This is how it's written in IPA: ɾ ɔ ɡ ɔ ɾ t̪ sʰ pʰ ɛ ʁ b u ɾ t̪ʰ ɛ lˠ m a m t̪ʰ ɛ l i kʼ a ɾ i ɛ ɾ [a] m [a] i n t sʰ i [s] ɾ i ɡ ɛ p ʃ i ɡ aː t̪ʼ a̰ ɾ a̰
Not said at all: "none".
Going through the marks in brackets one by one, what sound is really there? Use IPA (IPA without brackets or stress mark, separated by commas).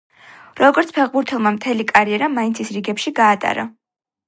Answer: a, a, s